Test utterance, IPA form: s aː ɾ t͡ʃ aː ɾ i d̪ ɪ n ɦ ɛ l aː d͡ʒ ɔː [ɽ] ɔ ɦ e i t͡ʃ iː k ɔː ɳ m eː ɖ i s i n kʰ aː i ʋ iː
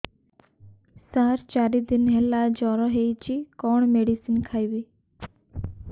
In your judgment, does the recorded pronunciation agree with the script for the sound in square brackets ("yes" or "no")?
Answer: no